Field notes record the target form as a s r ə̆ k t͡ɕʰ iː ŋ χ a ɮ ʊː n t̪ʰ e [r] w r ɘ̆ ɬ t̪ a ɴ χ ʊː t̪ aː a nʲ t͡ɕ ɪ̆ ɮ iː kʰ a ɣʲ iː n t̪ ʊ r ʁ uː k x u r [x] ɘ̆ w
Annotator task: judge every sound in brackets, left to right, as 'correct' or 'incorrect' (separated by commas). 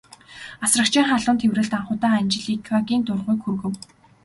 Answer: incorrect, incorrect